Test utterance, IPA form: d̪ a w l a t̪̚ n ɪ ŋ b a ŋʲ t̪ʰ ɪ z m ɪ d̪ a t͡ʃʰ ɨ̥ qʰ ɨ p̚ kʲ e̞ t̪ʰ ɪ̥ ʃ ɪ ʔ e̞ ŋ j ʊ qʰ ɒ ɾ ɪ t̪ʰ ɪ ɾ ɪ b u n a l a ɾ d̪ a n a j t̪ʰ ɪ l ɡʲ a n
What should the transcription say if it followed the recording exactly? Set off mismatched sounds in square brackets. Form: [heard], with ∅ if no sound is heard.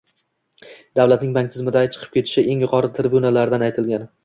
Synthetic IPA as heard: d̪ a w l a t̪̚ n ɪ ŋ b a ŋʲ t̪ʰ ɪ z m ɪ d̪ a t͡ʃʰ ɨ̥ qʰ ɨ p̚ kʲ e̞ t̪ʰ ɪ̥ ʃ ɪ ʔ e̞ ŋ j ʊ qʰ ɒ ɾ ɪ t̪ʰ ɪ ɾ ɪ b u n a l a ɾ d̪ a n a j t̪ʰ ɪ l ɡʲ a n